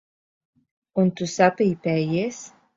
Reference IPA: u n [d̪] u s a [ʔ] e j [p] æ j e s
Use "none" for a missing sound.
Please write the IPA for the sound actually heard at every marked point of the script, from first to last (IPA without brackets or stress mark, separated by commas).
t̪, p, p